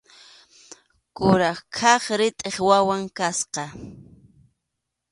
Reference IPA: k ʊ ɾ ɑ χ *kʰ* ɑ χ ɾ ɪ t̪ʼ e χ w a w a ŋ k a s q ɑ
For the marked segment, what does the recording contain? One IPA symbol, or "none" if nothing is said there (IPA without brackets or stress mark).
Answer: kʰ